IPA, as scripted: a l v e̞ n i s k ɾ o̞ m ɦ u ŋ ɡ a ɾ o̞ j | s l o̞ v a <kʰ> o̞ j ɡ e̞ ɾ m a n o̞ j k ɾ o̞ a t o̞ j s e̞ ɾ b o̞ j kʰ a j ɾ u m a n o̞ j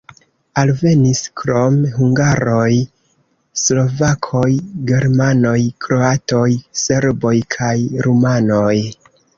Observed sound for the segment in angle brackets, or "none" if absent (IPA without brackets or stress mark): kʰ